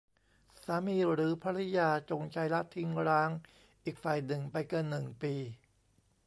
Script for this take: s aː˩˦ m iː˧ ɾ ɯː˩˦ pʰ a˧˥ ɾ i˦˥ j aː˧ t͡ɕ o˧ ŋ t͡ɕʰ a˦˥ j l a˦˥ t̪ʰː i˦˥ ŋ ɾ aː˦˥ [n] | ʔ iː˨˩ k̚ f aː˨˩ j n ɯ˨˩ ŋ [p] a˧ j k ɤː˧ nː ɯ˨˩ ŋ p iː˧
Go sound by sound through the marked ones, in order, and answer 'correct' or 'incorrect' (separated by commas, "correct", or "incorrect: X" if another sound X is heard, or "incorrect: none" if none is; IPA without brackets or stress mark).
incorrect: ŋ, correct